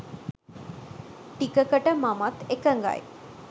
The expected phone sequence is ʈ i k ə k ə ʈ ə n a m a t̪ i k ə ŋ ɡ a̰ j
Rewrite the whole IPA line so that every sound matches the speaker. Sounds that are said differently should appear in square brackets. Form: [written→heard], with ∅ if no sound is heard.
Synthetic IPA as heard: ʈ i k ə k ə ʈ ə [n→m] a m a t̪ [i→e] k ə ŋ ɡ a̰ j